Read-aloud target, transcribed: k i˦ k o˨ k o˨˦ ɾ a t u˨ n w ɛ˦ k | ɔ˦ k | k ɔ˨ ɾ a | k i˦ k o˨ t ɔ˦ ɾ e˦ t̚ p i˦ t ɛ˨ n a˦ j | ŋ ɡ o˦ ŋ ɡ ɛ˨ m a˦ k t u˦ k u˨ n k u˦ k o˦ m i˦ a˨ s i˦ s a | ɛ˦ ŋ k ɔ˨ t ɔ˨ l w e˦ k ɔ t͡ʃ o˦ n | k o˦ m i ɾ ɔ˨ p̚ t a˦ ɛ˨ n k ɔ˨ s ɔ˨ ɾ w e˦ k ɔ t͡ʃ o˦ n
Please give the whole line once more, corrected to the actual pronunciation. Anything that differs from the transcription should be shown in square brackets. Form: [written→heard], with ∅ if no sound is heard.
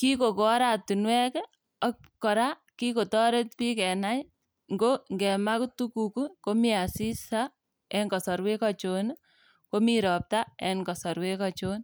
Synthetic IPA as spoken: k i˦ k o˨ k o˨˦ ɾ a t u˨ n w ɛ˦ k | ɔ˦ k | k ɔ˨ ɾ a | k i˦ k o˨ t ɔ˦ ɾ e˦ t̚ p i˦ [t→k] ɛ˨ n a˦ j | ŋ ɡ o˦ ŋ ɡ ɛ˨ m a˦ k t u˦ k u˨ [n→∅] k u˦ k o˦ m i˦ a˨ s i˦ s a | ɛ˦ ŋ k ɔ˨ [t→s] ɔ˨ [l→ɾ] w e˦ k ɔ t͡ʃ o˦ n | k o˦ m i ɾ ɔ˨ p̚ t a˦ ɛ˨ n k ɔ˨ s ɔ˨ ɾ w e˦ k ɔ t͡ʃ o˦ n